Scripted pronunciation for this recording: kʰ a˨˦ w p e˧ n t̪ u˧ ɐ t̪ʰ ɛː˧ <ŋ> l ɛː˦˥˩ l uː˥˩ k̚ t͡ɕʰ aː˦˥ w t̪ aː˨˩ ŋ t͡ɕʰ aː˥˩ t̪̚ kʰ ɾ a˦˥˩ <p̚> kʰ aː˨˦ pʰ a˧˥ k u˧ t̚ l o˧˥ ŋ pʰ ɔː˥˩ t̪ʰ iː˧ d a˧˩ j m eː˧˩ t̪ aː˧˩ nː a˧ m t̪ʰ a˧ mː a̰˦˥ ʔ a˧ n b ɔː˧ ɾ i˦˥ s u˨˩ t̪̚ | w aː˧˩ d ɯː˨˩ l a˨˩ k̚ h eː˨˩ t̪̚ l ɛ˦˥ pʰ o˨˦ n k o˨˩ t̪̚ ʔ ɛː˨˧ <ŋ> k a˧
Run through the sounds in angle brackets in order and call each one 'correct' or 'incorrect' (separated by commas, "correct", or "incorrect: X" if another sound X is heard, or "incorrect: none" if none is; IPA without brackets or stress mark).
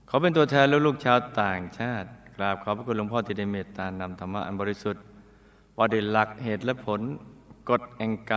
incorrect: n, correct, correct